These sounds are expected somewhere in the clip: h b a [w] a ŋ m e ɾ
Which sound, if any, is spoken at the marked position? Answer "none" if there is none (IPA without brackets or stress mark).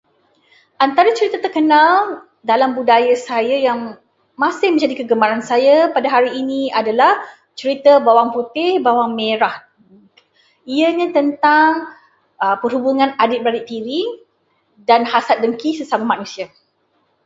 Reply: w